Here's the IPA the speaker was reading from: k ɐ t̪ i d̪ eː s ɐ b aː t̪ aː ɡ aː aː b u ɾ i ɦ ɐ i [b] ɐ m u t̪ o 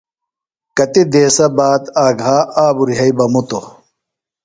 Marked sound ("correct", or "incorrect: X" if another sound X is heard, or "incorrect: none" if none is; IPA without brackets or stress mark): correct